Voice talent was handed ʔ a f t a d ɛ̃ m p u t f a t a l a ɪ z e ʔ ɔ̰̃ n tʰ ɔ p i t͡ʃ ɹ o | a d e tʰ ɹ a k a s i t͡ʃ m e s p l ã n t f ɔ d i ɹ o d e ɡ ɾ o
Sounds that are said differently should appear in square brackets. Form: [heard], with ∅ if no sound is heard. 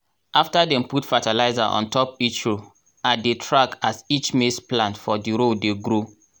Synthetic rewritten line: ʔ a f t a d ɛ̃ m p u t f a t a l a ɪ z [a] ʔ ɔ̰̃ n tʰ ɔ p i t͡ʃ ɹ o | a d e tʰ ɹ a k a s i t͡ʃ m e s p l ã n t f ɔ d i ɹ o d e ɡ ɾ o